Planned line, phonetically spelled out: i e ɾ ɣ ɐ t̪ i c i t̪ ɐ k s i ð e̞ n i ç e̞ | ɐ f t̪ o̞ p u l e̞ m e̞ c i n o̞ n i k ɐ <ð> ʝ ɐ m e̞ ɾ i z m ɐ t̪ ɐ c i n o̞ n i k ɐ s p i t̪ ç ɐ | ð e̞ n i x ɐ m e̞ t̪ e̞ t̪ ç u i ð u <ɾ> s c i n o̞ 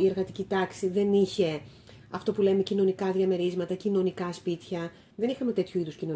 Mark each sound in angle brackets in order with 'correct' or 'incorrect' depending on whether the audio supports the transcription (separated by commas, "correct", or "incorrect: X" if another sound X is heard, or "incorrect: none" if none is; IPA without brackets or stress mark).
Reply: correct, incorrect: none